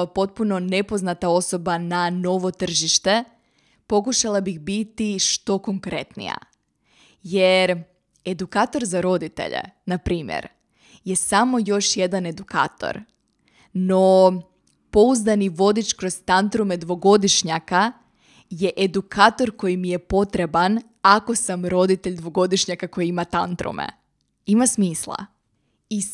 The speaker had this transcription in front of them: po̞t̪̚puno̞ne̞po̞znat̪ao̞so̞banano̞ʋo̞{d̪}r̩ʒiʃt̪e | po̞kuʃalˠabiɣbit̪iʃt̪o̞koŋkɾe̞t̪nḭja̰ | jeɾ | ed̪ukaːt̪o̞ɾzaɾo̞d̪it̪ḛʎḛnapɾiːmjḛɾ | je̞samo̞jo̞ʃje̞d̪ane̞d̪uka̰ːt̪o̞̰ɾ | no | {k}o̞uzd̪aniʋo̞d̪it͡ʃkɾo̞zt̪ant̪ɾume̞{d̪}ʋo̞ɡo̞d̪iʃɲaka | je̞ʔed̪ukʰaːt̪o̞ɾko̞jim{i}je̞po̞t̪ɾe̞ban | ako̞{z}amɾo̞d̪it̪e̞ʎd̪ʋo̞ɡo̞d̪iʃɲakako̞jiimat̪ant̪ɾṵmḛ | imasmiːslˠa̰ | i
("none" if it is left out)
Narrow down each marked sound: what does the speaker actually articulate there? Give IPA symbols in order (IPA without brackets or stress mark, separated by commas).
t̪, p, d̪, i, s